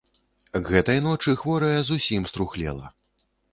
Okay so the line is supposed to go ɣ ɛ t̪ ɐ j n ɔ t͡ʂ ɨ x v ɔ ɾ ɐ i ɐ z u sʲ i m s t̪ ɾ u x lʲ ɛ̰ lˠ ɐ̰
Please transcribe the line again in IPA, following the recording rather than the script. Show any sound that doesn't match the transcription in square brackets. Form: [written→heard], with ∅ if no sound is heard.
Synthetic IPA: ɣ ɛ t̪ ɐ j n ɔ t͡ʂ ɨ x v ɔ ɾ ɐ [i→j] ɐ z u sʲ i m s t̪ ɾ u x lʲ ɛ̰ lˠ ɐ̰